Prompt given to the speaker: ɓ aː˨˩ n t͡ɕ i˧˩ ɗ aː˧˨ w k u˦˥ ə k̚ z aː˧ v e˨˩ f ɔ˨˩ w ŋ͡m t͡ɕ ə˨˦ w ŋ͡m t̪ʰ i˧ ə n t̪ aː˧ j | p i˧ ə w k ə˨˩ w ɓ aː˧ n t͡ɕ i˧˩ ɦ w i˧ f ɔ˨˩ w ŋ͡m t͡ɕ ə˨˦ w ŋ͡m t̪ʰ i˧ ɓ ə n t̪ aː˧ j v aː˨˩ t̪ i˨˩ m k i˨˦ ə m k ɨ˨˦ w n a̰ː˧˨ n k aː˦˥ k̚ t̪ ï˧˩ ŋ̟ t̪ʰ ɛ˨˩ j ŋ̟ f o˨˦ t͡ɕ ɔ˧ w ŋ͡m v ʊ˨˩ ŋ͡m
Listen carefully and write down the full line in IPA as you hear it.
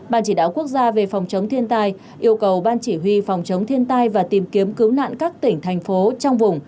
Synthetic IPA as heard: ɓ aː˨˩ n t͡ɕ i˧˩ ɗ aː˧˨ w k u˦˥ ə k̚ z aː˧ v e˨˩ f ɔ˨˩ w ŋ͡m t͡ɕ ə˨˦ w ŋ͡m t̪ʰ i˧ ə n t̪ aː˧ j | ʔ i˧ ə w k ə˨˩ w ɓ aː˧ n t͡ɕ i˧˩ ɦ w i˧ f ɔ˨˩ w ŋ͡m t͡ɕ ə˨˦ w ŋ͡m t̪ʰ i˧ ə n t̪ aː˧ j v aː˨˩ t̪ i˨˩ m k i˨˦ ə m k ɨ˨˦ w n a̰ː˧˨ n k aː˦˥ k̚ t̪ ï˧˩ ŋ̟ t̪ʰ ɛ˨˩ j ŋ̟ f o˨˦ t͡ɕ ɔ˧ w ŋ͡m v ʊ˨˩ ŋ͡m